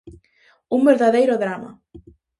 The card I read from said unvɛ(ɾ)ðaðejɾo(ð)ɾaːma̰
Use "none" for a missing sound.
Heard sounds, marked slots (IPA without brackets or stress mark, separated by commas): ɾ, ð